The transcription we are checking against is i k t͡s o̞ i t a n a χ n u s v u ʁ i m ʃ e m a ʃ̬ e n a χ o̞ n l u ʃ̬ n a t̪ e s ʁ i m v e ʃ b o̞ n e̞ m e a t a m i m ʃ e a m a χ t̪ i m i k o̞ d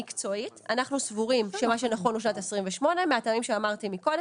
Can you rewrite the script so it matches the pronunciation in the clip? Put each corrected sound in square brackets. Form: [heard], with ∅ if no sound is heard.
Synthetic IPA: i k t͡s o̞ i t a n a χ n u s v u ʁ i m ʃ e m a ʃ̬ e n a χ o̞ n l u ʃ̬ n a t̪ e s ʁ i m v e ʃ [m] o̞ n e̞ m e a t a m i m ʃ e a m a [ʁ] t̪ i m i k o̞ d